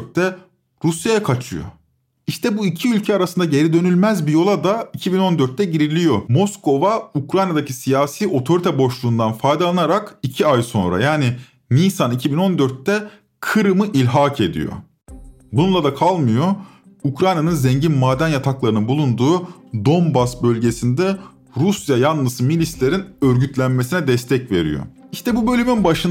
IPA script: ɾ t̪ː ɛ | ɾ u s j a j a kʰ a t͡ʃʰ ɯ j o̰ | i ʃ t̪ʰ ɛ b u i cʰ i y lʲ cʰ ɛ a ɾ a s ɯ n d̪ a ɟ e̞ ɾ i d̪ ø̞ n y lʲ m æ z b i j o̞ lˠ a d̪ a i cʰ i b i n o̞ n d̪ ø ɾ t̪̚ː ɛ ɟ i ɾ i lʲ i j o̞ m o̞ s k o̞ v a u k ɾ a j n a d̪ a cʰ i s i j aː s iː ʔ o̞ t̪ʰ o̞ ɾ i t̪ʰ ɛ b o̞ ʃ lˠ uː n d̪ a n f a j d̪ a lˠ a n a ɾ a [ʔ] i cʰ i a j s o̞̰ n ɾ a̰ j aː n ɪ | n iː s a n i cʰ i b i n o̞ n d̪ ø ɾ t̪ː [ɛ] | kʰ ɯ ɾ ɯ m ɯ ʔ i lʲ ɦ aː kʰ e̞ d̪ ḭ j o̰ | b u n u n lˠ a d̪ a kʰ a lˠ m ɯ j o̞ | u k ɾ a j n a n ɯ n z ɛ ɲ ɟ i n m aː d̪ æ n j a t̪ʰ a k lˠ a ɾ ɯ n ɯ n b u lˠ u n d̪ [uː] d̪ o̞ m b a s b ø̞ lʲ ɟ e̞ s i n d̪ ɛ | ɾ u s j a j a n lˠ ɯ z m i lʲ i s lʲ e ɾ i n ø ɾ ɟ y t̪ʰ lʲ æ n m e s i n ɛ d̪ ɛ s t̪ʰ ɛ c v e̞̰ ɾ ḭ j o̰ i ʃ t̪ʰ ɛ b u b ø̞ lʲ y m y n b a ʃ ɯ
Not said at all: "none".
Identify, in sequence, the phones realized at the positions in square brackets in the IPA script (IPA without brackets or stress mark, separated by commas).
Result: k, ɛ, uː